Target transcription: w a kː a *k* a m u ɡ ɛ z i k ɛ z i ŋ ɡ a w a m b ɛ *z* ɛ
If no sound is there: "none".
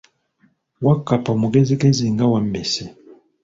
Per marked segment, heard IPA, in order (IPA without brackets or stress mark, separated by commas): p, s